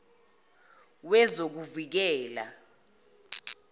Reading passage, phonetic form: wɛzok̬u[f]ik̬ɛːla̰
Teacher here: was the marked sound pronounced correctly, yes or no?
no